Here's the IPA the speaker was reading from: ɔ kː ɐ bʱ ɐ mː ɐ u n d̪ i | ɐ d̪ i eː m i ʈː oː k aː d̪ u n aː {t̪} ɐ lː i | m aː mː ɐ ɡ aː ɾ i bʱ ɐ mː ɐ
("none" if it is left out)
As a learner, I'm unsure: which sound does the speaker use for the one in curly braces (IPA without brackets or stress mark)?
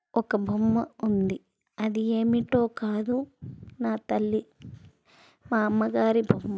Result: t̪